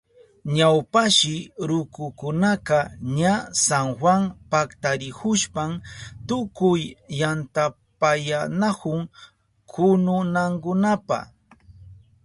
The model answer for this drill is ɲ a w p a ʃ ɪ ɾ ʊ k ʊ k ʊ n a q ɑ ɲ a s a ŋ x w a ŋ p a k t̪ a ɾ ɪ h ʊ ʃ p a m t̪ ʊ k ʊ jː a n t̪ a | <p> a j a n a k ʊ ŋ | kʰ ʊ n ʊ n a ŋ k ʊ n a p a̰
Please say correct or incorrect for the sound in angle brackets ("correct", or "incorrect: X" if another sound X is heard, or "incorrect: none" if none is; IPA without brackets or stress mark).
correct